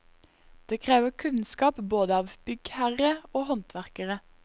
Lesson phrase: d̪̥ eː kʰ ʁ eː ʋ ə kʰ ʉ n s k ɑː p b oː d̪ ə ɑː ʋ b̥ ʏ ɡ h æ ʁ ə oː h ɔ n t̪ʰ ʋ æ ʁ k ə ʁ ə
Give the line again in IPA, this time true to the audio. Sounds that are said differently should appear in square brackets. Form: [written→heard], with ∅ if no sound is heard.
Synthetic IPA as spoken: d̪̥ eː kʰ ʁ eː ʋ ə kʰ ʉ n s k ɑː p b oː d̪ ə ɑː ʋ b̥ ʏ ɡ h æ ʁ ə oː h ɔ n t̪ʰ ʋ æ ʁ k ə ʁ ə